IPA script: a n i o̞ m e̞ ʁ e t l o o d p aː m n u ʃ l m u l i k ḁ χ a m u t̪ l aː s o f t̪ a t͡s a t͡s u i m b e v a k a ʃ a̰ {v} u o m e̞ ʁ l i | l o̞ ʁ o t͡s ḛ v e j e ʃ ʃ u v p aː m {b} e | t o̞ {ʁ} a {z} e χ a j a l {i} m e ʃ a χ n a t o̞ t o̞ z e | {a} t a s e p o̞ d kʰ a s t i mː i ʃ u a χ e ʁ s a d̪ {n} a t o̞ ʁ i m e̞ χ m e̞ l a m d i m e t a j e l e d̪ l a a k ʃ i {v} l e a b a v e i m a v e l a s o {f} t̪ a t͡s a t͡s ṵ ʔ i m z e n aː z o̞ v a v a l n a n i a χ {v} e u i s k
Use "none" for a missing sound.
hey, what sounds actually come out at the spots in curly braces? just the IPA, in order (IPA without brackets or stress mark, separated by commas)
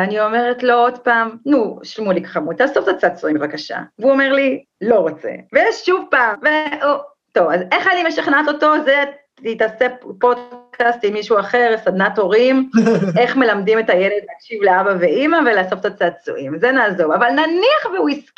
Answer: v, v, v, z, i, i, n, v, f, v